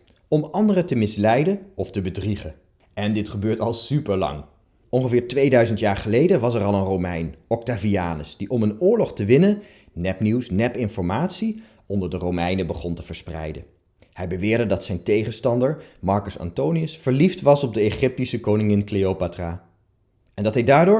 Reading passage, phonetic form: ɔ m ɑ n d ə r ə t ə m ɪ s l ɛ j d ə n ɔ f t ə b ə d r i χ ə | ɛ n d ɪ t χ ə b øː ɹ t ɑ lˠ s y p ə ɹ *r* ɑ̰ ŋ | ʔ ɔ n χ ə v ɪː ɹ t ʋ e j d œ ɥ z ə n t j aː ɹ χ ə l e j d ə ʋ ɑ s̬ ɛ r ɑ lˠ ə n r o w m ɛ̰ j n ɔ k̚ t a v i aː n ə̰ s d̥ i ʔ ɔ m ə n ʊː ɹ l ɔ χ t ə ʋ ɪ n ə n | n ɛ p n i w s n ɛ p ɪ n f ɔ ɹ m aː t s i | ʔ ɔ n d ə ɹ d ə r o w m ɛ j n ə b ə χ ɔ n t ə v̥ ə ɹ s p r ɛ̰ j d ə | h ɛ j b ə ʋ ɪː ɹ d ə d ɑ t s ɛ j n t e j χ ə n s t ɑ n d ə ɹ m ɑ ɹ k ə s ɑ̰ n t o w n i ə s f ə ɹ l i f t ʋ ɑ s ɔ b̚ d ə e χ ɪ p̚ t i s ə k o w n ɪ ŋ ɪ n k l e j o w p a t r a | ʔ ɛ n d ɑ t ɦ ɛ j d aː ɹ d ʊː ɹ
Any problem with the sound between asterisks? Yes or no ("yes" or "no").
yes